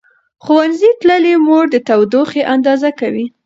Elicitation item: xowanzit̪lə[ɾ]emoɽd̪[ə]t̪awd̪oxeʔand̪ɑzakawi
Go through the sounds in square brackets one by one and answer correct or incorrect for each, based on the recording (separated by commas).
incorrect, correct